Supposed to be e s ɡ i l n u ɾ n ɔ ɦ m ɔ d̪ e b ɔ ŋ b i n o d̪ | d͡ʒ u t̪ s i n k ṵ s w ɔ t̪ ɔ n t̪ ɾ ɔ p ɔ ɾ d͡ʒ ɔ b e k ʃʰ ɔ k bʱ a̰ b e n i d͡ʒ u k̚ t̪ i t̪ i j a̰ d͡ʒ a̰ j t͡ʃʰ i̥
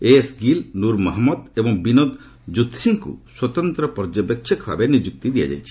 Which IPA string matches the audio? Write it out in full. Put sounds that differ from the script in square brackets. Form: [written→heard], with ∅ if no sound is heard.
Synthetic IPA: e s ɡ i l n u ɾ [n→m] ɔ ɦ m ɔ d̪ e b ɔ ŋ b i n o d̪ | d͡ʒ u t̪ s i [n→ŋ] k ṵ s w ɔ t̪ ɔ n t̪ ɾ ɔ p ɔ ɾ d͡ʒ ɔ b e k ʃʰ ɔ k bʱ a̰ b e n i d͡ʒ u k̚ t̪ i [t̪→d̪] i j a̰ d͡ʒ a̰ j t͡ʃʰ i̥